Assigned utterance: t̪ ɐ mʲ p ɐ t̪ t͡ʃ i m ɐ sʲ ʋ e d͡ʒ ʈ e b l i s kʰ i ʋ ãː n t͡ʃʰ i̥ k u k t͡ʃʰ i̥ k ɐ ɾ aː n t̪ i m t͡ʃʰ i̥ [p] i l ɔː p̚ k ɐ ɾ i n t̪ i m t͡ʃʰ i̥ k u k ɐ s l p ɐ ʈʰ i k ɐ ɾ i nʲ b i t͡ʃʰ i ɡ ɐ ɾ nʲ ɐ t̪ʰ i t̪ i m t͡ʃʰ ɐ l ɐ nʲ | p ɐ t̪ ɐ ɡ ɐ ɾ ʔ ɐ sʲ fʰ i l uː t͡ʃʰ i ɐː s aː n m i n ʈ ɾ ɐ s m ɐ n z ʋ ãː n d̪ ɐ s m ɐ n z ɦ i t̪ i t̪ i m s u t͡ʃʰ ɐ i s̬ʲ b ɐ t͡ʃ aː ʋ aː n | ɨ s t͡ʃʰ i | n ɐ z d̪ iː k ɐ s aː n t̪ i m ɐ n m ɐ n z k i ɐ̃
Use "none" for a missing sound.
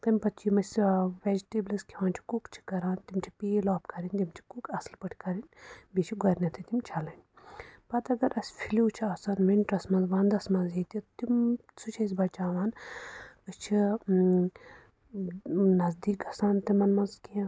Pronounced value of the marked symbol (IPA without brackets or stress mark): p